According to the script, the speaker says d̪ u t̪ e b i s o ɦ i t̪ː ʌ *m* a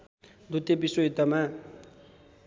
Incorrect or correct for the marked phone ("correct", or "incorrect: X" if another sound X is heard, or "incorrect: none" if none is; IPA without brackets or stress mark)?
correct